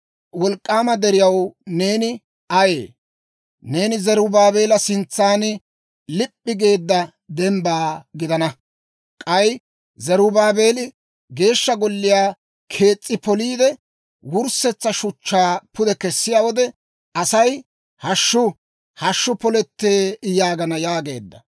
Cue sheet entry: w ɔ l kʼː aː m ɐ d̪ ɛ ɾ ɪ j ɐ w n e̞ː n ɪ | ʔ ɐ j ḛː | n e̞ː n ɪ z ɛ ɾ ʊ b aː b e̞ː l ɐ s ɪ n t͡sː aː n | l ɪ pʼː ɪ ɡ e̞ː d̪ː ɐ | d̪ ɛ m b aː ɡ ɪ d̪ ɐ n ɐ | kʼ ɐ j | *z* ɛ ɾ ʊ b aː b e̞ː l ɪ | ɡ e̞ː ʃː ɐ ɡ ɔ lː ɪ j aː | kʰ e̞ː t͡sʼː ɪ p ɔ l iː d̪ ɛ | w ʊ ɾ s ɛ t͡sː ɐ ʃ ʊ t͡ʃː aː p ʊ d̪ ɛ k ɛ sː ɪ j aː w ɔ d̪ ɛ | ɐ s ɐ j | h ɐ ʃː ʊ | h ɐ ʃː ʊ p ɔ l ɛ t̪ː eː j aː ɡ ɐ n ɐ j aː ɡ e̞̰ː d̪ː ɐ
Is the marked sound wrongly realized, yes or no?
no